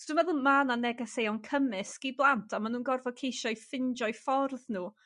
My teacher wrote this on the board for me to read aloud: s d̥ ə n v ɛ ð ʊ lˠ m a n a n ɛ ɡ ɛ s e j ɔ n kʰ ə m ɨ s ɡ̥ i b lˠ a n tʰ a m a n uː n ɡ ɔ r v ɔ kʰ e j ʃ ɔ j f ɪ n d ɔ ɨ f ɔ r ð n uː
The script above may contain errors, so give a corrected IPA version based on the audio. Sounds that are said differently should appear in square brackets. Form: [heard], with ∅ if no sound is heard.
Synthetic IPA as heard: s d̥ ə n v ɛ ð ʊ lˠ m a n a n ɛ ɡ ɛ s e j ɔ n kʰ ə m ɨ s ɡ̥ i b lˠ a n tʰ a m a n uː n ɡ ɔ r v ɔ kʰ e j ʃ ɔ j f ɪ n [d͡ʒ] ɔ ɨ f ɔ r ð n uː